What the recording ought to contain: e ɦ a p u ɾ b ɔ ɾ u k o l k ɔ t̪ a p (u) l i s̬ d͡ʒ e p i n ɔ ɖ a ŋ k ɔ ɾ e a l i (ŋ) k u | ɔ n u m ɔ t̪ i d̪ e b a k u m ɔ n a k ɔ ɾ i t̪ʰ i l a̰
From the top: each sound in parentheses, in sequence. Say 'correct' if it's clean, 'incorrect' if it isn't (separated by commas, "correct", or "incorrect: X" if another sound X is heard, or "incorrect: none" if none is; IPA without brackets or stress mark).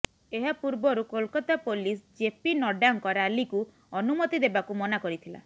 incorrect: o, incorrect: none